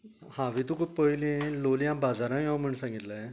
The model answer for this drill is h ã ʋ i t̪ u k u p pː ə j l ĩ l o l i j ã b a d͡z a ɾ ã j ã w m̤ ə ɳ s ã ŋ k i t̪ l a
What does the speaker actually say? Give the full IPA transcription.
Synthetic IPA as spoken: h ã ʋ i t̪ u k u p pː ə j l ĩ l o l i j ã b a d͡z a ɾ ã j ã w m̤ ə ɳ s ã ŋ ɡ i t̪ l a